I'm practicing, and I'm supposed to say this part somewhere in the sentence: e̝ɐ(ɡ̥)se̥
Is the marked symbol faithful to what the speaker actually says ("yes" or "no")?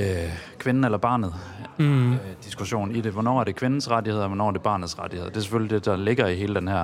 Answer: no